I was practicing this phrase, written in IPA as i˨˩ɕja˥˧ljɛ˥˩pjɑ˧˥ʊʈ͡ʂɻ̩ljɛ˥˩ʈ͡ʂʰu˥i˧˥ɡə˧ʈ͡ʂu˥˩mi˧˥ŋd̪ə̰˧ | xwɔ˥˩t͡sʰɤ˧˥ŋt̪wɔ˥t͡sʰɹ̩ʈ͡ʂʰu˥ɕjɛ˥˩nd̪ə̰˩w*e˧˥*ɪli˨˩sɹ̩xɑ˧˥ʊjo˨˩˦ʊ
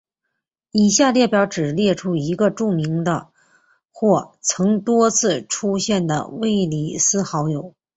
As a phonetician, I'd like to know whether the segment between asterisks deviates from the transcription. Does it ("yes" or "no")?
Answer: yes